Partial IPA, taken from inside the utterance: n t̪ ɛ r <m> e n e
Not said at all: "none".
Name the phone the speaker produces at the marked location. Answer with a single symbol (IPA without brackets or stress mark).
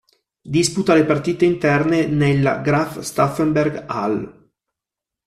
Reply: n